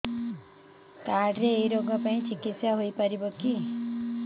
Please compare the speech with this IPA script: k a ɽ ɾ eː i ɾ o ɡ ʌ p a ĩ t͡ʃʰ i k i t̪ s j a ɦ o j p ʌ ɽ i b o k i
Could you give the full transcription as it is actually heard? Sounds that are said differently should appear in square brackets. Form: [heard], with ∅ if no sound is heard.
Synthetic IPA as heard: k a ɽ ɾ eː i ɾ o ɡ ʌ p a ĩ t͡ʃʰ i k i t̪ s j a ɦ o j p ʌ [ɾ] i b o k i